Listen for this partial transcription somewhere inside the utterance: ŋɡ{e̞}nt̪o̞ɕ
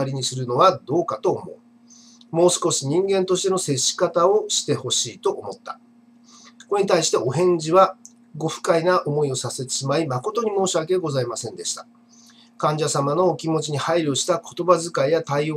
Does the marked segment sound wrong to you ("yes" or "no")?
yes